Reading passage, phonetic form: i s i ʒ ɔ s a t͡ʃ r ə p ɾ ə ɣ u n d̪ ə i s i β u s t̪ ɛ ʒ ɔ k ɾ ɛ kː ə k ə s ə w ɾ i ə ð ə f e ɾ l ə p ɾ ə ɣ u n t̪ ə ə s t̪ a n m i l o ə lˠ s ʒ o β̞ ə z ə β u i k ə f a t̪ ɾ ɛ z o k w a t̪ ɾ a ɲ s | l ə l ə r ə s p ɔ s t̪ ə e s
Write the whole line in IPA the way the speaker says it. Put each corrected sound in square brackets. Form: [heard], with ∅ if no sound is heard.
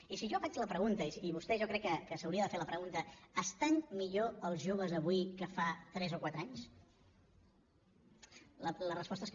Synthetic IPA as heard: i s i ʒ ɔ [f] a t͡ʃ [l] ə p ɾ ə ɣ u n [t̪] ə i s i β u s t̪ ɛ ʒ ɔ k ɾ ɛ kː ə k ə s ə w ɾ i ə ð ə f e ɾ l ə p ɾ ə ɣ u n t̪ ə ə s t̪ a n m i [ʎ] o ə lˠ [z] ʒ o β̞ ə z ə β u i k ə f a t̪ ɾ ɛ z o k w a t̪ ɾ a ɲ s | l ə l ə r ə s p ɔ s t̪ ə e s